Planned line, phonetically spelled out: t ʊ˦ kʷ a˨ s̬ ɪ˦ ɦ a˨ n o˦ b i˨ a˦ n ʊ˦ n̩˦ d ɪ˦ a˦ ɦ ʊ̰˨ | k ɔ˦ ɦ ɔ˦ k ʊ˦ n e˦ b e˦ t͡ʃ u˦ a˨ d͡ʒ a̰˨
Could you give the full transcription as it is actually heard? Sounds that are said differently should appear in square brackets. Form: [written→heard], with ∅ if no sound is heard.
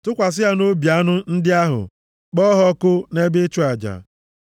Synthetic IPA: t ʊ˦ kʷ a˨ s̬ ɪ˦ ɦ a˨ n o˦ b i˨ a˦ n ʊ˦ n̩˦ d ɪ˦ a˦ ɦ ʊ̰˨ | [k→k͡p] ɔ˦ ɦ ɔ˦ k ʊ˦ n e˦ b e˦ t͡ʃ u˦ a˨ d͡ʒ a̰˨